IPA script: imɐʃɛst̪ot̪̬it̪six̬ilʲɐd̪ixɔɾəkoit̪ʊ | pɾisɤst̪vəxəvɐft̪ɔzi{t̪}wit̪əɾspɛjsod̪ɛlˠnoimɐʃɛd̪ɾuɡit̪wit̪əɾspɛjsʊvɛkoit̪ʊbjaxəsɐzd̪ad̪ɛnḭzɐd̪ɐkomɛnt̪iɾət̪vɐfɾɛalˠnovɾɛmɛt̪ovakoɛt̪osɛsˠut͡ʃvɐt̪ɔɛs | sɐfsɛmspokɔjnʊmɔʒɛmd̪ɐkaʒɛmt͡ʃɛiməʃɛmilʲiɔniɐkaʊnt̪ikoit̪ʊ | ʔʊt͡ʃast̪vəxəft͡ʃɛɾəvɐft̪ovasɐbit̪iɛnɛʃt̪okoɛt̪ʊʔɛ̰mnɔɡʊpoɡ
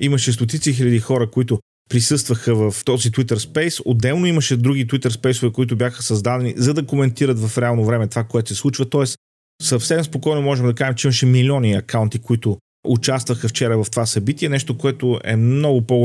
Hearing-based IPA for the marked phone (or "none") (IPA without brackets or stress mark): t̪